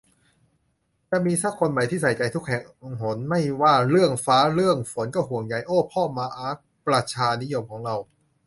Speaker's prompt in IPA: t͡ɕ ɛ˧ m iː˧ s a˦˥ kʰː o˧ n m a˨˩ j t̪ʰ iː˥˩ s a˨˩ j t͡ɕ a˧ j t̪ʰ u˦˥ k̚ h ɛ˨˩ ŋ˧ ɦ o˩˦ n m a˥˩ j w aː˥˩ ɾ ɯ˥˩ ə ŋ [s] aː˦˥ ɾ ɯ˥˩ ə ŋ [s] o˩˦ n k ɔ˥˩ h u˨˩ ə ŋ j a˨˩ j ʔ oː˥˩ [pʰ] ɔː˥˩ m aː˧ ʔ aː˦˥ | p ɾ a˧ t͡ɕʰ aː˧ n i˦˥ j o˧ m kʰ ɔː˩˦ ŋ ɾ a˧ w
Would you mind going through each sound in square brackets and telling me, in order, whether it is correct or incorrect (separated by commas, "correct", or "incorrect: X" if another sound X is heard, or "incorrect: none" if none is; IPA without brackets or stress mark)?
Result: incorrect: f, incorrect: f, correct